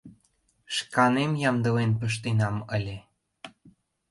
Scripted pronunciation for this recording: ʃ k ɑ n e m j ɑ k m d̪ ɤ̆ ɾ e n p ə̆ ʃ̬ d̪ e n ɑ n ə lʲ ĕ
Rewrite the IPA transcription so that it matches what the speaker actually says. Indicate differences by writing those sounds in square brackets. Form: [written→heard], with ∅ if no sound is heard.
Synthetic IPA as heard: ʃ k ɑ n e m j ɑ [k→∅] m d̪ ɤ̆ [ɾ→l] e n p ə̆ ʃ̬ [d̪→t̪] e n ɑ [n→m] ə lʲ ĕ